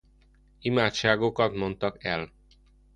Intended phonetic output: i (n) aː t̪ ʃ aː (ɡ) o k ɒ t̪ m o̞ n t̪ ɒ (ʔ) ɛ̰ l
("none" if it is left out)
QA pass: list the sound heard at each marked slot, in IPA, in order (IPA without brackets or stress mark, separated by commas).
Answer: m, ɡ, k